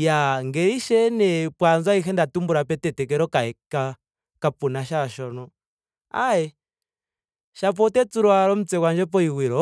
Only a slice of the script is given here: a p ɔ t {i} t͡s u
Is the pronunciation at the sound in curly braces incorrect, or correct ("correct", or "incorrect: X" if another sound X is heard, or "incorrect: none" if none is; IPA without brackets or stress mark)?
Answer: incorrect: ɛ